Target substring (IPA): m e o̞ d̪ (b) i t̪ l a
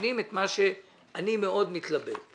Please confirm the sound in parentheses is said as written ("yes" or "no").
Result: no